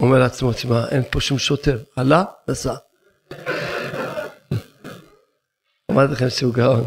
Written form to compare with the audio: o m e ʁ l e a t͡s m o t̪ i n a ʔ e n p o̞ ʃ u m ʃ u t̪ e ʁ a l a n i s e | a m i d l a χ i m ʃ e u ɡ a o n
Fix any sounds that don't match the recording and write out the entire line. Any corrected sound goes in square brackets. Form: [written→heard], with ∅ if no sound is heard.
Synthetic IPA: o m e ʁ l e a t͡s m o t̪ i [n→m] a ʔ e n p o̞ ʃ u m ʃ [u→o] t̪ e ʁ a l a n [i→a] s [e→a] | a m [i→a] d l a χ [i→e] m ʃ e u ɡ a o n